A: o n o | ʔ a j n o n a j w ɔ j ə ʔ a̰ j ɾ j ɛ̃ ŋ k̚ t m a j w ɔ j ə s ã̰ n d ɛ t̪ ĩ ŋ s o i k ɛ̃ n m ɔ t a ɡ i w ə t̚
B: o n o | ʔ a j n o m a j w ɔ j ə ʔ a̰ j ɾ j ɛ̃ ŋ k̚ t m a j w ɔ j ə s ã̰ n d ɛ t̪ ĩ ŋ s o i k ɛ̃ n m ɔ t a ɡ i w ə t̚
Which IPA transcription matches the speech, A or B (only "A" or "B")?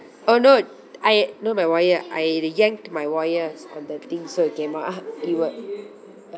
B